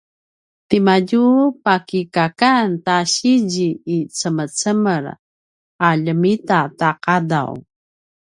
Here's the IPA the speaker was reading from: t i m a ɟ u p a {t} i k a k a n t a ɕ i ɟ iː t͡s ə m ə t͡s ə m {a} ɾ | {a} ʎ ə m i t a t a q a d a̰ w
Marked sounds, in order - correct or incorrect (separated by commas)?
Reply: incorrect, incorrect, correct